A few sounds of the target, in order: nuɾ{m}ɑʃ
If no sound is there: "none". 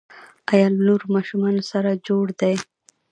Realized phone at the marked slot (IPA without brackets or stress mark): m